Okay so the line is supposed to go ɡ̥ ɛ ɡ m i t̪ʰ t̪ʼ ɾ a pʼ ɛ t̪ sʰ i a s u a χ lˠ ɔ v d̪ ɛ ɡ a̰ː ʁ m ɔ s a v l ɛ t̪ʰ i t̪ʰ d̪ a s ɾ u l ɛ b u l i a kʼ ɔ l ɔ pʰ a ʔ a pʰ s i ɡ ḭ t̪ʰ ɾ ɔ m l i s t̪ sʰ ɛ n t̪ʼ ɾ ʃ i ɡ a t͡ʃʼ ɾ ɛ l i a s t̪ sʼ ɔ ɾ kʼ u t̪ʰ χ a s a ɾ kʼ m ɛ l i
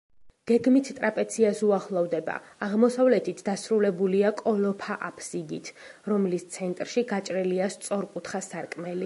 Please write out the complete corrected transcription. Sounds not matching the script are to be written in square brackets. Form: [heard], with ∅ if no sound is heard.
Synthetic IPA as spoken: ɡ̥ ɛ ɡ m i t̪ʰ t̪ʼ ɾ a pʼ ɛ t̪ sʰ i a s u a χ lˠ ɔ v d̪ ɛ [b] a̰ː ʁ m ɔ s a v l ɛ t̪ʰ i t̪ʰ d̪ a s ɾ u l ɛ b u l i a kʼ ɔ l ɔ pʰ a ʔ a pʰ s i ɡ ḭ t̪ʰ ɾ ɔ m l i s t̪ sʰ ɛ n t̪ʼ ɾ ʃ i ɡ a t͡ʃʼ ɾ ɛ l i a s t̪ sʼ ɔ ɾ kʼ u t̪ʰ χ a s a ɾ kʼ m ɛ l i